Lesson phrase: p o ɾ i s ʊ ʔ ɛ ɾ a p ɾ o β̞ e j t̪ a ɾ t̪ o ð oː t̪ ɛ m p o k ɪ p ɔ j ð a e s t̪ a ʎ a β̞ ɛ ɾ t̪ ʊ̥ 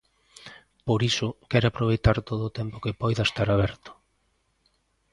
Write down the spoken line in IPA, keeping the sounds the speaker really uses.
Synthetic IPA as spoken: p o ɾ i s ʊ k ɛ ɾ a p ɾ o β̞ e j t̪ a ɾ t̪ o ð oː t̪ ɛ m p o k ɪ p ɔ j ð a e s t̪ a ɾ a β̞ ɛ ɾ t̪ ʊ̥